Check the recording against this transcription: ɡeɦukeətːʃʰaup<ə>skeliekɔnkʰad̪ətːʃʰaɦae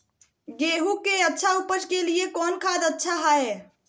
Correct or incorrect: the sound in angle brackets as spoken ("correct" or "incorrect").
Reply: correct